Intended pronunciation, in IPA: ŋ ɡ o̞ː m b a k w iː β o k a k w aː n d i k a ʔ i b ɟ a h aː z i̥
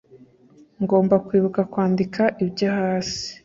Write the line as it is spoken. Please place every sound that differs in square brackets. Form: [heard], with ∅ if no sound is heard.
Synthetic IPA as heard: ŋ ɡ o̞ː m b a k w iː β [u] k a k w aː n d i k a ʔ i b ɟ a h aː [s] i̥